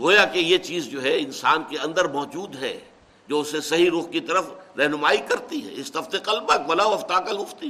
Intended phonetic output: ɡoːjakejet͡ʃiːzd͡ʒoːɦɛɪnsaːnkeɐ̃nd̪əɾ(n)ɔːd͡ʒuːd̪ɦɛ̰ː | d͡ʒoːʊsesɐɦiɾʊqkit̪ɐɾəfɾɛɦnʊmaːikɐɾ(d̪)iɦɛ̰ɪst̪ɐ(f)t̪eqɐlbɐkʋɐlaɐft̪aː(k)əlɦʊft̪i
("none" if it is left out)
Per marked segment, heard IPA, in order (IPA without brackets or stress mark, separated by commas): m, t̪, f, k